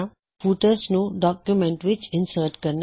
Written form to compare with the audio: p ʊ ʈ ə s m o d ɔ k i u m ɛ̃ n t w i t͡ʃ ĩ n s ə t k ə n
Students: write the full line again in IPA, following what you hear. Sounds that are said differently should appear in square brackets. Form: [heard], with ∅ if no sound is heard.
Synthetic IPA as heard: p [u] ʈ ə s [n] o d ɔ k [j] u m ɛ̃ n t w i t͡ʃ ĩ n s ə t k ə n